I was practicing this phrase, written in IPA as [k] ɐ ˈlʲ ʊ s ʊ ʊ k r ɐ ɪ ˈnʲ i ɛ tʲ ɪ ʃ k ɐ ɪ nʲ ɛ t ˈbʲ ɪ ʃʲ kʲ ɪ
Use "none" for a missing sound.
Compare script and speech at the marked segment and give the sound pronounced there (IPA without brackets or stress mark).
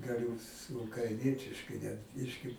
ɡ